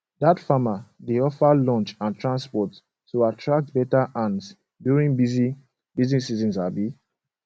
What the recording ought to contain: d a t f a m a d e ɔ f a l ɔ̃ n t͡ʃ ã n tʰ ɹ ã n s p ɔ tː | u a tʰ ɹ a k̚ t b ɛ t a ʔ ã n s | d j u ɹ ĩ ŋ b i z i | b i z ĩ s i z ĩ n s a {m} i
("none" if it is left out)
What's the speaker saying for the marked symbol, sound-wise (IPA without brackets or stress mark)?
b